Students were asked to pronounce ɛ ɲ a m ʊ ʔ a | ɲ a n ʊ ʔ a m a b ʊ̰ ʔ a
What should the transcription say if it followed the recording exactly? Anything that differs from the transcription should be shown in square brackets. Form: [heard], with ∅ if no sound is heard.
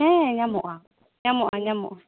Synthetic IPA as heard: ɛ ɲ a m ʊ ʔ a | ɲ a [m] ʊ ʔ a [ɲ] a [m] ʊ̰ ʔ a